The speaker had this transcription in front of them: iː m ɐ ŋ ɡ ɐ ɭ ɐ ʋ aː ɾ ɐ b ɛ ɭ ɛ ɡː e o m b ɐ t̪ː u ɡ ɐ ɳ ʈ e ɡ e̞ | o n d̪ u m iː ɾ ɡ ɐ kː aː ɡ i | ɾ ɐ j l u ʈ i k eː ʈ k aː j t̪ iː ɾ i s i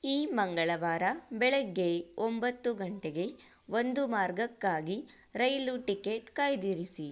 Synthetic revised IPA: iː m ɐ ŋ ɡ ɐ ɭ ɐ ʋ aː ɾ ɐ b ɛ ɭ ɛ ɡː e o m b ɐ t̪ː u ɡ ɐ ɳ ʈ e ɡ e̞ | o n d̪ u m aː ɾ ɡ ɐ kː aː ɡ i | ɾ ɐ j l u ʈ i k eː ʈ k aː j d̪ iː ɾ i s i